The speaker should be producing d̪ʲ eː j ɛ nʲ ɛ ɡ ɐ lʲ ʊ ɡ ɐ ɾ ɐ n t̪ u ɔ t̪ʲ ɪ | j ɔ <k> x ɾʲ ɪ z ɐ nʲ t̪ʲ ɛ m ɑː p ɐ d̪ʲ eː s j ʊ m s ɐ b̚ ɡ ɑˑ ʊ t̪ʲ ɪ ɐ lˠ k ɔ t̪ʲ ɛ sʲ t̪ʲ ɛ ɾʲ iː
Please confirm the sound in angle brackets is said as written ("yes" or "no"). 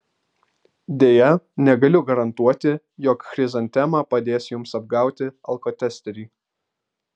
yes